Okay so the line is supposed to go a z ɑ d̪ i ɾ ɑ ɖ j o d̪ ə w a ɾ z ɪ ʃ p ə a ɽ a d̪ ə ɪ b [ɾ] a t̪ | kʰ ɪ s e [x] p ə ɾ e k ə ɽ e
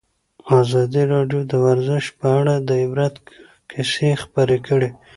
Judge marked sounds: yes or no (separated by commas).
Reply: yes, yes